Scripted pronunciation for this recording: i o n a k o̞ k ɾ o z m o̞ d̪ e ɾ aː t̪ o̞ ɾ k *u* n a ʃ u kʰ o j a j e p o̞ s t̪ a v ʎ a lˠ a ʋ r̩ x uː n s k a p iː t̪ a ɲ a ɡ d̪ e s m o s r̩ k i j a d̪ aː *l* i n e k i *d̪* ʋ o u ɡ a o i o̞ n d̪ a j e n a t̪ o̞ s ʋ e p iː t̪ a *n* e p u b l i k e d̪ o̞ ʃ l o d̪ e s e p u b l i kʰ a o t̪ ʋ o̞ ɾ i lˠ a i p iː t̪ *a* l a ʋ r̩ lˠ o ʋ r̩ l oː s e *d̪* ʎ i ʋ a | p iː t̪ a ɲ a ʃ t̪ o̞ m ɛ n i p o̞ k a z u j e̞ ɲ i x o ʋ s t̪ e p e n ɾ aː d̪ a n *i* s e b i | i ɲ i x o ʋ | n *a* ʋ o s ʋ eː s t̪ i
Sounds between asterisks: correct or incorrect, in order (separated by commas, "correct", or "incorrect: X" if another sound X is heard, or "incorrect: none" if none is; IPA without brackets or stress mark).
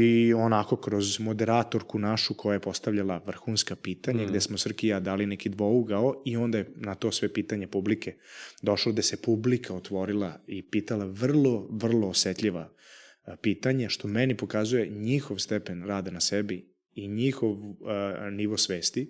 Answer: correct, correct, correct, incorrect: ɲ, correct, incorrect: t̪, incorrect: a, incorrect: i